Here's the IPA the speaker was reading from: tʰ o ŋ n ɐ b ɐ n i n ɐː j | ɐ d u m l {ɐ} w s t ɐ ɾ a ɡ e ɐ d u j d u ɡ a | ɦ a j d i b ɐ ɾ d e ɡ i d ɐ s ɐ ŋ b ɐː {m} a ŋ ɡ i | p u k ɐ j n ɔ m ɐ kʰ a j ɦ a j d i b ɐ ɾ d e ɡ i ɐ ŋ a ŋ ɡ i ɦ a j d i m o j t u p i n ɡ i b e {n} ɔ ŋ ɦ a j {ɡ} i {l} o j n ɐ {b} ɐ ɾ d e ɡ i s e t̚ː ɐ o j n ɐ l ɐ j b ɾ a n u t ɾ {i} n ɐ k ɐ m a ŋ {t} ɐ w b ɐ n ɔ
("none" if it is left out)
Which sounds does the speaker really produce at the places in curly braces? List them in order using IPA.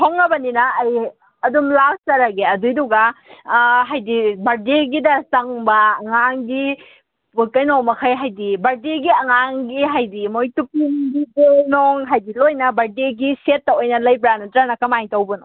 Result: a, ŋ, n, d, l, b, a, t

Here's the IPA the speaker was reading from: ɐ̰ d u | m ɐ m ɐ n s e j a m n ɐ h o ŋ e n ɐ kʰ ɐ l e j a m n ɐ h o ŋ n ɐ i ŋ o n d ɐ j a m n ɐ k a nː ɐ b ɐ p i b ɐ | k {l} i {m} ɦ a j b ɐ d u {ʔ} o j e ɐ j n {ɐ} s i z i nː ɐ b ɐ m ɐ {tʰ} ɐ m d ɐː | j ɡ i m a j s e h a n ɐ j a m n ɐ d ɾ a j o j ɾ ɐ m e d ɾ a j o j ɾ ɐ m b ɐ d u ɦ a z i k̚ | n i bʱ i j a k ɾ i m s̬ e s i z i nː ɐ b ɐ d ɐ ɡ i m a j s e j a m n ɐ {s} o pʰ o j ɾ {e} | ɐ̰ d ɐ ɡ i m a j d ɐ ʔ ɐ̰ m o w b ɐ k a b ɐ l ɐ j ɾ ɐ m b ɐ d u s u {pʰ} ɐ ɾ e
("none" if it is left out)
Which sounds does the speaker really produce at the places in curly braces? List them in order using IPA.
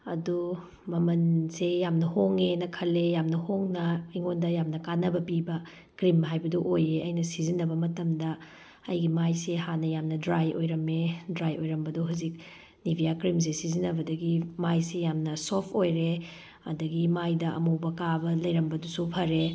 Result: ɾ, m, ʔ, ɐ, t, s, e, pʰ

